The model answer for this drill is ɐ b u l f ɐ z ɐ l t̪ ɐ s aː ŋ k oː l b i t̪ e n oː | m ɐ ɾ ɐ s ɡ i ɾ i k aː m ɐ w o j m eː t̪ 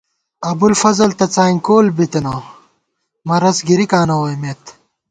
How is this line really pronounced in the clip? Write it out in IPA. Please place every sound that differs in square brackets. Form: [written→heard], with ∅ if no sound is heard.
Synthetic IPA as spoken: ɐ b u l f ɐ z ɐ l t̪ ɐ [s→t͡s] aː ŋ k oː l b i t̪ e n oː | m ɐ ɾ ɐ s ɡ i ɾ i k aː [m→n] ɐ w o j m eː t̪